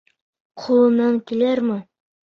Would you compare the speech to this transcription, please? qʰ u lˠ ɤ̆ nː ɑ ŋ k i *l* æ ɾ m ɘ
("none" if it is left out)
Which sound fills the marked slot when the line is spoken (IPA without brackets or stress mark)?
l